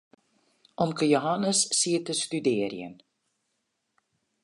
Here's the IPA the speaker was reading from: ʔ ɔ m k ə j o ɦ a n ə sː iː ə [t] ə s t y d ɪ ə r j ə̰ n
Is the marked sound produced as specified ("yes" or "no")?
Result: yes